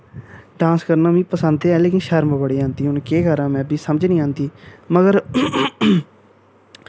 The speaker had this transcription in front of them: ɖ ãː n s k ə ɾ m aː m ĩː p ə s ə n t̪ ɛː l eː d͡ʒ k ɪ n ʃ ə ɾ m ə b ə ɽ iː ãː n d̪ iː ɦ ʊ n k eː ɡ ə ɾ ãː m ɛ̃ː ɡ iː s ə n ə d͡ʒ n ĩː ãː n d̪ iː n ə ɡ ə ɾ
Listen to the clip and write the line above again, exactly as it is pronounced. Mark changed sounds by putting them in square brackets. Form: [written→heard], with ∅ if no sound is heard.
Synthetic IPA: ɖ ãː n s k ə ɾ [m→n] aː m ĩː p ə s ə n [t̪→d̪] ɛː l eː [d͡ʒ→∅] k ɪ n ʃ ə ɾ m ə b ə ɽ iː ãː n d̪ iː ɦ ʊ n k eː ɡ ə ɾ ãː m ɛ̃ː [ɡ→b] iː s ə [n→m] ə d͡ʒ n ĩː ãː n d̪ iː [n→m] ə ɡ ə ɾ